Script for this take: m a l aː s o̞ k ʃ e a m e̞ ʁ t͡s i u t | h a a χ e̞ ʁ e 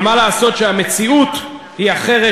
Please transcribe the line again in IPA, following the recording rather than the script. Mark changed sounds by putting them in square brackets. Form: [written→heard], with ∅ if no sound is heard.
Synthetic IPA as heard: m a l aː s o̞ [k→t] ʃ e a m e̞ [ʁ→∅] t͡s i u t | h [a→i] a χ e̞ ʁ e